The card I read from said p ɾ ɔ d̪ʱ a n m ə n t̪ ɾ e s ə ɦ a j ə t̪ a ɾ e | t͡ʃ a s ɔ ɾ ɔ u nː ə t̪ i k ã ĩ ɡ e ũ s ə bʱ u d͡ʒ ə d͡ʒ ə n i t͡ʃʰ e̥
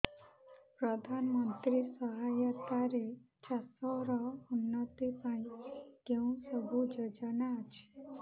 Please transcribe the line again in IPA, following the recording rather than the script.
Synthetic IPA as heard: p ɾ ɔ d̪ʱ a n m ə n t̪ ɾ i s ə ɦ a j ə t̪ a ɾ e | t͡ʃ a s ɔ ɾ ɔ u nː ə t̪ i p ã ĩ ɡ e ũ s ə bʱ u d͡ʒ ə d͡ʒ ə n a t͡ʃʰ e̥